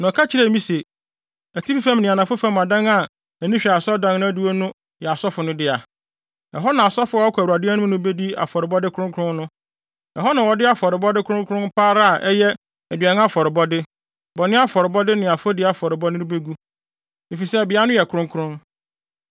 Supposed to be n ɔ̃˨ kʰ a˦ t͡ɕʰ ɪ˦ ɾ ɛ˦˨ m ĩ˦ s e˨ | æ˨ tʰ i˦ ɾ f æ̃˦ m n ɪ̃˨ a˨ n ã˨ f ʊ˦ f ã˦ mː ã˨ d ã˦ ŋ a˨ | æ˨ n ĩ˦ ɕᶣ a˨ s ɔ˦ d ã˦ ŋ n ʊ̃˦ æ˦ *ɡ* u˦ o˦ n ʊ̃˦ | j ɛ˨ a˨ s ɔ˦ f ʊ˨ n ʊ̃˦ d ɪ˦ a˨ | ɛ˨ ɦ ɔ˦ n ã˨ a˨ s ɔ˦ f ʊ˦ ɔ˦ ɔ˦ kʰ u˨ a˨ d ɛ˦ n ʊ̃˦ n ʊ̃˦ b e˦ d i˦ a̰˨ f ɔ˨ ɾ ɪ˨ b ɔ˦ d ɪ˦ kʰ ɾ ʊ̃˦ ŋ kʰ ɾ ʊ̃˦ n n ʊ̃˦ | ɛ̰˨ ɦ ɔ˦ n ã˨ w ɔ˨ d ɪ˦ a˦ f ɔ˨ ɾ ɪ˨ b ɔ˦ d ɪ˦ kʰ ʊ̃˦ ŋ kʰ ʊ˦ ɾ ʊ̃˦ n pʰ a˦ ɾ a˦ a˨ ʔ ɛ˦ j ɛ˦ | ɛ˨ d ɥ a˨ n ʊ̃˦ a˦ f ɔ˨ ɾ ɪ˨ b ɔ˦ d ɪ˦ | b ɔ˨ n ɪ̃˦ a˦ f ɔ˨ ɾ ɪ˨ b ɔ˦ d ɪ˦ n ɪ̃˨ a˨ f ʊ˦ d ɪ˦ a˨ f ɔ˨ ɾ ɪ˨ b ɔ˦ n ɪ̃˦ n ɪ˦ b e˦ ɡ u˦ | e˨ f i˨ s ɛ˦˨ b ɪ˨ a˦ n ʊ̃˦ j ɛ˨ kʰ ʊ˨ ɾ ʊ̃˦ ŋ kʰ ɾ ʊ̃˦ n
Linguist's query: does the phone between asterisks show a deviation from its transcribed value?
yes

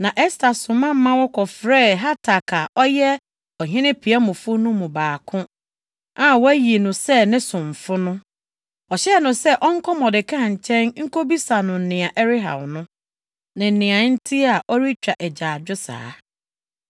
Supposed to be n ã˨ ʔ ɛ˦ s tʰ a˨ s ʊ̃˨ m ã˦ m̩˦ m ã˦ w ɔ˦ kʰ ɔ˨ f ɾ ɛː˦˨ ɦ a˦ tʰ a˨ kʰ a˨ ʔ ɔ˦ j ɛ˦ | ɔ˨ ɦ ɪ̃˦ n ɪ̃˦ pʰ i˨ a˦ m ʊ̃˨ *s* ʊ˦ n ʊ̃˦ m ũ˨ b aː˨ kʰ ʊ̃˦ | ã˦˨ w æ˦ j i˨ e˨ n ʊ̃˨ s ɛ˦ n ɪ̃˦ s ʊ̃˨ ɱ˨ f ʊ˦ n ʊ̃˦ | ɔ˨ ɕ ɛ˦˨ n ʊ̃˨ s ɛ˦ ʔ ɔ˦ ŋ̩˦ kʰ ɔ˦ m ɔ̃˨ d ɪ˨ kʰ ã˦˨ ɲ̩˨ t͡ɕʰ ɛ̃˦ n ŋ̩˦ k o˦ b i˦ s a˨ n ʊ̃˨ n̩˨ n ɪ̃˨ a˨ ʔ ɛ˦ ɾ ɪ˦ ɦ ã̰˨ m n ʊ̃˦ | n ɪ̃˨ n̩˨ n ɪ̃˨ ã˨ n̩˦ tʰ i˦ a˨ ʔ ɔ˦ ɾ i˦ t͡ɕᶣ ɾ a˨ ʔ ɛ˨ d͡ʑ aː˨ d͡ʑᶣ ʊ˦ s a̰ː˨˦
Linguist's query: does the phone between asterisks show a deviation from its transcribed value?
yes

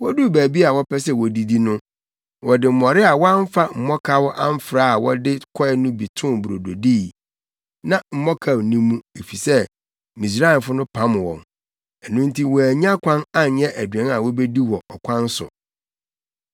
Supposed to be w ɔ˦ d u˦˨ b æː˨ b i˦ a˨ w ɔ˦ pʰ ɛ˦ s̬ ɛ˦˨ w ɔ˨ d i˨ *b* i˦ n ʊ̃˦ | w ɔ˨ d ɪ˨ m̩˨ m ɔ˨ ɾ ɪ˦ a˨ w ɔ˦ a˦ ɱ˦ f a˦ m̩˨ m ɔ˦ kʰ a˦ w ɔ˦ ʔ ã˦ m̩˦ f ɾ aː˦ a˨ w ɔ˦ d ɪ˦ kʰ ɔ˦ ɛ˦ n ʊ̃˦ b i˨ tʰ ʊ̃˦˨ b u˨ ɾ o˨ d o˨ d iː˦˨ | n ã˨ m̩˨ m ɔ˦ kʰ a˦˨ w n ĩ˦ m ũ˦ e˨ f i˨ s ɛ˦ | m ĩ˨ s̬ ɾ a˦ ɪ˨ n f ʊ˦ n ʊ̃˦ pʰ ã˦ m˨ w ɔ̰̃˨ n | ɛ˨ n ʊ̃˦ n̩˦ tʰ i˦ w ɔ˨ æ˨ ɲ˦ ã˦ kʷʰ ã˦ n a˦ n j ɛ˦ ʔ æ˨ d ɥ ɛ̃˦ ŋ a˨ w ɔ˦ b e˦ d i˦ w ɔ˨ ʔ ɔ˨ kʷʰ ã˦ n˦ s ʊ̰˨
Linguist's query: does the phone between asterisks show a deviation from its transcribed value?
yes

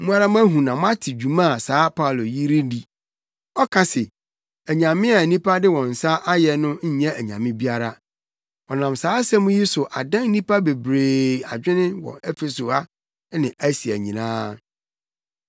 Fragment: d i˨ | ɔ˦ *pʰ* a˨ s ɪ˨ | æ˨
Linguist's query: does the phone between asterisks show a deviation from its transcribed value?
yes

